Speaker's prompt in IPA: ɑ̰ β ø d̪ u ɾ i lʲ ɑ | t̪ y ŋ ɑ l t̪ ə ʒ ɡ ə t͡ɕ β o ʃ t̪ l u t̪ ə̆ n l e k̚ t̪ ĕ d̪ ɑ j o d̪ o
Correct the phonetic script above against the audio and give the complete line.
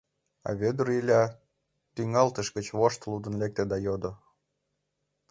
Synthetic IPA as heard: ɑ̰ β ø d̪ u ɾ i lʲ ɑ | t̪ y ŋ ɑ l t̪ ə ʃ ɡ ə t͡ɕ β o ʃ t̪ l u d̪ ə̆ n l e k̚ t̪ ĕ d̪ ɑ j o d̪ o